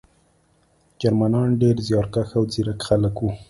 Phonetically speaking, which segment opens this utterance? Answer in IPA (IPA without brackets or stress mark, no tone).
d͡ʒ